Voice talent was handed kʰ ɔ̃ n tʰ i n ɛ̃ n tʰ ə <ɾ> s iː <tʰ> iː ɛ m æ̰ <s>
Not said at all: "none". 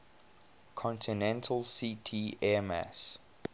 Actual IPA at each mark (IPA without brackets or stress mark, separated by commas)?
l, tʰ, s